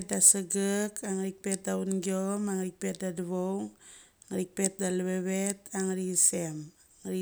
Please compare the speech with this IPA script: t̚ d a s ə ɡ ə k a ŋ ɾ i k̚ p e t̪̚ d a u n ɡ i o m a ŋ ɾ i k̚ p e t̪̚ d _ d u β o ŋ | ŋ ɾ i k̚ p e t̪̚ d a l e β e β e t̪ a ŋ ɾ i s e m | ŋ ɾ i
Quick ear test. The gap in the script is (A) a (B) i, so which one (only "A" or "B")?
A